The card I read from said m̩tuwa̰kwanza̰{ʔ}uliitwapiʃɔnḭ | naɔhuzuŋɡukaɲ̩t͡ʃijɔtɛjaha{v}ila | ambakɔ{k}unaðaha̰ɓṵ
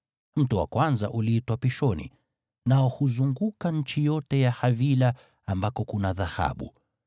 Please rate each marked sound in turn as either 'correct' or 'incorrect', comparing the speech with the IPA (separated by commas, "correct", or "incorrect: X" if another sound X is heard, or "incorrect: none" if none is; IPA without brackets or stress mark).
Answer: correct, correct, correct